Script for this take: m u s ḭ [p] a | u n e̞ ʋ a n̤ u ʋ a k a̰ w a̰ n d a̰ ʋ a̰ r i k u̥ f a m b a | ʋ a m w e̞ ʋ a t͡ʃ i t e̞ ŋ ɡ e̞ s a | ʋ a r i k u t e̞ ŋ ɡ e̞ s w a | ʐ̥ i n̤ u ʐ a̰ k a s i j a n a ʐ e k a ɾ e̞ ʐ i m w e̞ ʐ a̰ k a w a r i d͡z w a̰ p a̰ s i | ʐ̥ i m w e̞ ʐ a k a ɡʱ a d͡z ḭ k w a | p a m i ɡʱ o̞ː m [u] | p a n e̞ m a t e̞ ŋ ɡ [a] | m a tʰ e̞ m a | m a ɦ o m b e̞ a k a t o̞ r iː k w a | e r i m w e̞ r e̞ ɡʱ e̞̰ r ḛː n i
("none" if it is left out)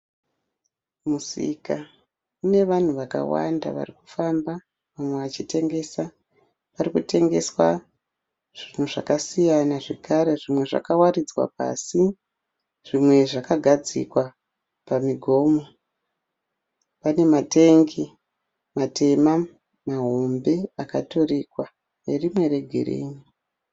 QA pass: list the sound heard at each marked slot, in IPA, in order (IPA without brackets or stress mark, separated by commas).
k, o, i